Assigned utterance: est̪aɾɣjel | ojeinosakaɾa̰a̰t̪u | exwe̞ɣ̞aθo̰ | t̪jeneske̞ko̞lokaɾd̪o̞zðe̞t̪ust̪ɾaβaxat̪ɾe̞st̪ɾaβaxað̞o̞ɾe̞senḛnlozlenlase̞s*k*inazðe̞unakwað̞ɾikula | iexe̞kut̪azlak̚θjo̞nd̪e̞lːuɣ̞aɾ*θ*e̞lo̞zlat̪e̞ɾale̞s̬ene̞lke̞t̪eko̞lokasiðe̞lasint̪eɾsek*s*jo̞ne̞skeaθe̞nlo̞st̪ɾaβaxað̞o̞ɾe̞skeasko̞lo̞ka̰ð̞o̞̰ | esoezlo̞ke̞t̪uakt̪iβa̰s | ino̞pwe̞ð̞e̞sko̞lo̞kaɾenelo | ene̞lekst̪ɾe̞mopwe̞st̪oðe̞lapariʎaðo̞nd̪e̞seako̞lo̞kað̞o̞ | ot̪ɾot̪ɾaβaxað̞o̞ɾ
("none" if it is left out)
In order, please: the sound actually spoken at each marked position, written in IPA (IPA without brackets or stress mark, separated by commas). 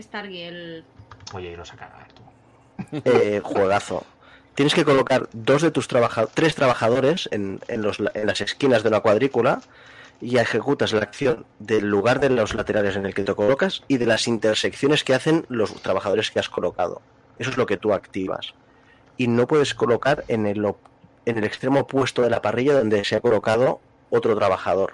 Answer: k, ð, θ